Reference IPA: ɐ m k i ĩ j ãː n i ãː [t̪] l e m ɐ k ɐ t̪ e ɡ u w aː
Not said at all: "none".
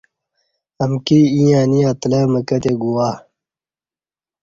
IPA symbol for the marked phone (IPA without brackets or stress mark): t̪